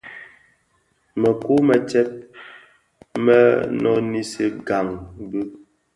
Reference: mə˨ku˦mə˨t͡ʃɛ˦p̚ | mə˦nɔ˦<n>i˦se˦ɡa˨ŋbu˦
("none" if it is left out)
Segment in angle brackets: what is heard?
n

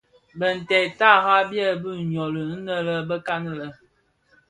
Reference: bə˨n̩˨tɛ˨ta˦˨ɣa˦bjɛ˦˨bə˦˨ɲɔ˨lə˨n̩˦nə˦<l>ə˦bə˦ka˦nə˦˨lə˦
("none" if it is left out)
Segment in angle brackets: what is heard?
l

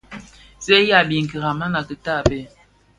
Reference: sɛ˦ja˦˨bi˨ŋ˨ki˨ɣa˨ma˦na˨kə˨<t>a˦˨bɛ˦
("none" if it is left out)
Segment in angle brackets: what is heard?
t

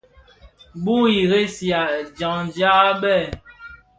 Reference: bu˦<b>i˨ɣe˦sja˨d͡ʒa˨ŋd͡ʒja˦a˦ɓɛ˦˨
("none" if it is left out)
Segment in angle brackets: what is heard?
none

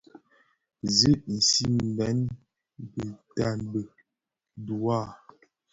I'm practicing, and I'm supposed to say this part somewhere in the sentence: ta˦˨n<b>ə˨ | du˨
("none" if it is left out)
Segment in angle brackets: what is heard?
b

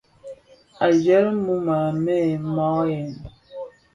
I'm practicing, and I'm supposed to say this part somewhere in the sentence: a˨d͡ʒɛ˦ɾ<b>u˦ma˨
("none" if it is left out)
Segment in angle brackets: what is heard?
m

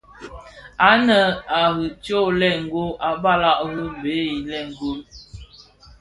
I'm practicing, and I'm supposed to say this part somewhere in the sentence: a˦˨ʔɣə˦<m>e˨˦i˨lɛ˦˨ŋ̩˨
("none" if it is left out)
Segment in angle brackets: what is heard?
b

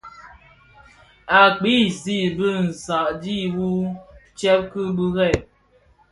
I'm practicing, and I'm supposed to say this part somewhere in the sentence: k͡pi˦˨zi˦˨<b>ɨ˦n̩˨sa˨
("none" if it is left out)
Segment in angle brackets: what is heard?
b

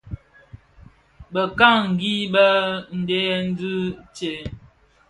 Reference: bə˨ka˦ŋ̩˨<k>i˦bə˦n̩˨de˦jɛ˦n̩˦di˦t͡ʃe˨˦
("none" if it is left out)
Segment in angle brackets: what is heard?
ɡ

